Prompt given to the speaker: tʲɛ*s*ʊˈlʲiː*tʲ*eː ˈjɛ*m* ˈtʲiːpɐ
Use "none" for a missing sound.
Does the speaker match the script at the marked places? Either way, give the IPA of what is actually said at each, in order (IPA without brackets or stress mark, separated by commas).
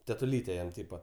t, tʲ, m